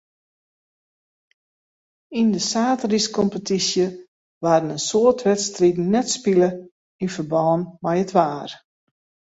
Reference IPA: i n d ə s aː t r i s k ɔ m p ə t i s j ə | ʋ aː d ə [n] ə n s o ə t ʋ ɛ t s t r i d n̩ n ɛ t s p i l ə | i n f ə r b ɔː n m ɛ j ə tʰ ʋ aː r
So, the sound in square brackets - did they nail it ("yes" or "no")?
yes